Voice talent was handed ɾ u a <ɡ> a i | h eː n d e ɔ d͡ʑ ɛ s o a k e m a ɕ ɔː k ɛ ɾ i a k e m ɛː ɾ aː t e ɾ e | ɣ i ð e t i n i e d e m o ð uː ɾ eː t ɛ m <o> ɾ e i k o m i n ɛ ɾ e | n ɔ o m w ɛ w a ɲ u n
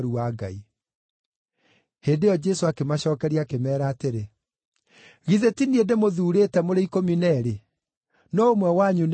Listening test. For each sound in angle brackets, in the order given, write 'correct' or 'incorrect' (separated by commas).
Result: correct, correct